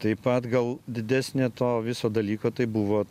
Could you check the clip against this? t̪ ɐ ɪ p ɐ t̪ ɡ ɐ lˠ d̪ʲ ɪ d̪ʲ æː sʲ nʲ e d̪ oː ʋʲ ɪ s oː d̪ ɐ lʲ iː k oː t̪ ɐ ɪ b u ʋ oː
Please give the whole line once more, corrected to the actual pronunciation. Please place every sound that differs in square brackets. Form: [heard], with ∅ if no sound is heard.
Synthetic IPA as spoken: t̪ ɐ ɪ p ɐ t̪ ɡ ɐ lˠ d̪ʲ ɪ d̪ʲ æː sʲ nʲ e [t̪] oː ʋʲ ɪ s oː d̪ ɐ lʲ iː k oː t̪ ɐ ɪ b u ʋ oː